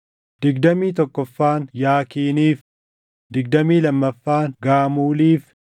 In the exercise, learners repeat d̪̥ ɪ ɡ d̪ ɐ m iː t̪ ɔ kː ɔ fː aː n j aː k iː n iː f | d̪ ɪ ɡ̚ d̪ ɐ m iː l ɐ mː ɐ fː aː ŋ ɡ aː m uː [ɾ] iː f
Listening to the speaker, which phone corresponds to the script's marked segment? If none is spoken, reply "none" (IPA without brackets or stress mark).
l